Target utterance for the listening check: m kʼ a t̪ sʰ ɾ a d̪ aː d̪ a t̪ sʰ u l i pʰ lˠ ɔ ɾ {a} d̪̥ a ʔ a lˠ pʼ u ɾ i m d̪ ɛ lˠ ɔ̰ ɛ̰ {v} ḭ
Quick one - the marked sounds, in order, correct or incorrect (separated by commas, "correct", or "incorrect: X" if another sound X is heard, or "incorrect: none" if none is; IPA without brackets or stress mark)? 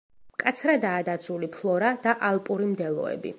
correct, incorrect: b